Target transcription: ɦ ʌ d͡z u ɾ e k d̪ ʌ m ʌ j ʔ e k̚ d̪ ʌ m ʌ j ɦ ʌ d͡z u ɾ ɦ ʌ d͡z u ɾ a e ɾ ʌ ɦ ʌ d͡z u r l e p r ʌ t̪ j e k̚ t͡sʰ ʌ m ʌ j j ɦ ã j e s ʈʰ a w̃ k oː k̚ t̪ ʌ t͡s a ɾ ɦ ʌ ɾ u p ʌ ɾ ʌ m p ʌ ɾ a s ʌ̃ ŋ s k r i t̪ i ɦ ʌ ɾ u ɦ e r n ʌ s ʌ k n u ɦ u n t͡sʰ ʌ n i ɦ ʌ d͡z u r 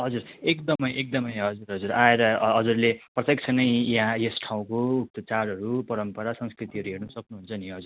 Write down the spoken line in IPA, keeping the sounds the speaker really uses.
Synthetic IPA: ɦ ʌ d͡z u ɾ e k d̪ ʌ m ʌ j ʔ e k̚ d̪ ʌ m ʌ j ɦ ʌ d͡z u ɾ ɦ ʌ d͡z u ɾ a e ɾ ʌ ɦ ʌ d͡z u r l e p r ʌ t̪ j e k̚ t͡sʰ ʌ n ʌ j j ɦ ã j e s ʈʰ a w̃ k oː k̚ t̪ ʌ t͡s a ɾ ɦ ʌ ɾ u p ʌ ɾ ʌ m p ʌ ɾ a s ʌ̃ ŋ s k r i t̪ i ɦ ʌ ɾ u ɦ e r n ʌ s ʌ k n u ɦ u n t͡sʰ ʌ n i ɦ ʌ d͡z u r